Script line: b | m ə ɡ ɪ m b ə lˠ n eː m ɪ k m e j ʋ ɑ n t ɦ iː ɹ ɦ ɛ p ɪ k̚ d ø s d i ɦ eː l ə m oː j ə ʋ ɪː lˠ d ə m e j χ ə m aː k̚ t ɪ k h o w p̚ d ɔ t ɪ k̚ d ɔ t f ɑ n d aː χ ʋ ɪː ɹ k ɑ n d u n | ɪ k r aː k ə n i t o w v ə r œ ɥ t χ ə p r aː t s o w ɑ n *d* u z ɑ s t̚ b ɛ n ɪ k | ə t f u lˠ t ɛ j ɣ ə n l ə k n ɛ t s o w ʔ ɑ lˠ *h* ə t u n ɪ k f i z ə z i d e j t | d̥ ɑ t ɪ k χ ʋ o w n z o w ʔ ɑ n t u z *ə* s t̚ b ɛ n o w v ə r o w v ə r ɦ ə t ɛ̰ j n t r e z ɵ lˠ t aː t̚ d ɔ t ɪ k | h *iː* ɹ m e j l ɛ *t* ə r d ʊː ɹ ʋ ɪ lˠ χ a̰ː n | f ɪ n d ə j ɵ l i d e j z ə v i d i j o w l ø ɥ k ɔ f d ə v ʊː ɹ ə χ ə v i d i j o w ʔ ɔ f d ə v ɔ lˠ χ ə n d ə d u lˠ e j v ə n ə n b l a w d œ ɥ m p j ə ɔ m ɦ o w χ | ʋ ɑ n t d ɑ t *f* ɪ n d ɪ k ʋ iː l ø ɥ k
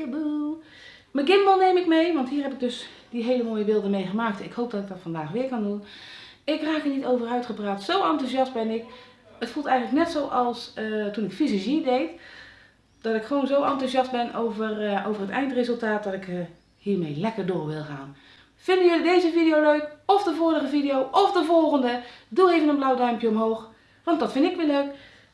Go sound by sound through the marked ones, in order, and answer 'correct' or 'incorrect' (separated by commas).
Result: incorrect, incorrect, incorrect, correct, incorrect, correct